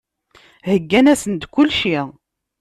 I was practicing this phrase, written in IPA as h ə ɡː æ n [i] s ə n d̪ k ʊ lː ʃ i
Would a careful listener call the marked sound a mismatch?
yes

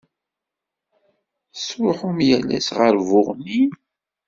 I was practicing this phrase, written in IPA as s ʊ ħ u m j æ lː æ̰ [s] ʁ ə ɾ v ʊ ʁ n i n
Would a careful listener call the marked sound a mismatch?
no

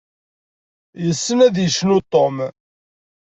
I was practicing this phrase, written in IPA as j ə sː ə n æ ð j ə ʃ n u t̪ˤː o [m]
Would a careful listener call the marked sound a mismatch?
no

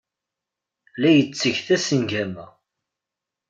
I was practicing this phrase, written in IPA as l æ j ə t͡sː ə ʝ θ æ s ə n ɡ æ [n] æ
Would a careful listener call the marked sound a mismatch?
yes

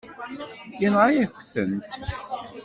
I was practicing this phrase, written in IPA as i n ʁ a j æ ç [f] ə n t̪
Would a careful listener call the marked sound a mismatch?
yes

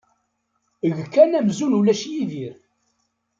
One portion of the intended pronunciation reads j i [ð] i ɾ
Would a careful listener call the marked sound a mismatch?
no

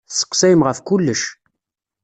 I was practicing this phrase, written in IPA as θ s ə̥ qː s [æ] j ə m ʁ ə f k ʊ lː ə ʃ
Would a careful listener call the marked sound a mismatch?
no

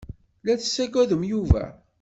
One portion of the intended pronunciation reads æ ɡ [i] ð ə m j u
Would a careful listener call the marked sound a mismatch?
yes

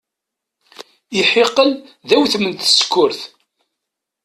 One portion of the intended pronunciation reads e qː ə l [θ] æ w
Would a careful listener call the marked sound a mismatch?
yes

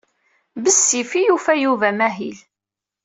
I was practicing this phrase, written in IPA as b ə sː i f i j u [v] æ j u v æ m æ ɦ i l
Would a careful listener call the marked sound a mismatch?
yes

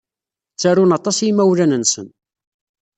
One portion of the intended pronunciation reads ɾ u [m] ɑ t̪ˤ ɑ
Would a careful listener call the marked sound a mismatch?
yes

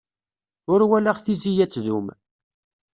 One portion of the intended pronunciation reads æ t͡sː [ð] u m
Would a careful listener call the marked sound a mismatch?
no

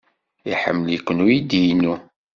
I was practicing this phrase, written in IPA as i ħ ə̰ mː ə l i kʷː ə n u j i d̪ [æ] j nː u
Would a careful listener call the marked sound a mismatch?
yes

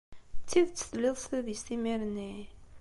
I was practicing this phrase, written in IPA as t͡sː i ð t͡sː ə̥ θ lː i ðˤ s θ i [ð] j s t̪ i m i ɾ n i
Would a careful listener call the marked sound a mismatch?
no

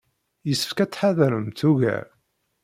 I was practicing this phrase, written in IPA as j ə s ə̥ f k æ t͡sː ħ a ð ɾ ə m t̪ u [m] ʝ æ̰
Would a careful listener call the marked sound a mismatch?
yes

